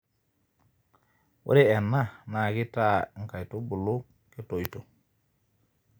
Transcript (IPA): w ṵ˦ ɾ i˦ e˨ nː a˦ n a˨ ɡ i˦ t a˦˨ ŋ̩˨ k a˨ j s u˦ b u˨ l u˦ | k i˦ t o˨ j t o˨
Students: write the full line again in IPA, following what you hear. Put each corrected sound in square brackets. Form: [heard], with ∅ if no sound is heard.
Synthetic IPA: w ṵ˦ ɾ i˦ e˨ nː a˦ n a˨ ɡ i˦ t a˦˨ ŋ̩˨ k a˨ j [t] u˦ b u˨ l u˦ | k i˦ t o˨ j t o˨